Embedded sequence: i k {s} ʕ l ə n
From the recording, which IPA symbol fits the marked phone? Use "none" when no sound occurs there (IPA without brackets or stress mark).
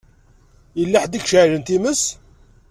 ʃ